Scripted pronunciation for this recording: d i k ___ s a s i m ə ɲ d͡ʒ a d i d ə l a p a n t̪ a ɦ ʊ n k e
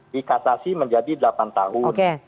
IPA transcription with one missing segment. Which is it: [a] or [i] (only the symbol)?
a